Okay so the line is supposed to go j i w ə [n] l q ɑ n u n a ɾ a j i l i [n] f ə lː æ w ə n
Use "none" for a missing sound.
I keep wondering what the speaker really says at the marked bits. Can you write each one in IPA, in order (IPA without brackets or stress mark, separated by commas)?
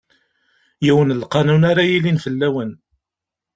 n, n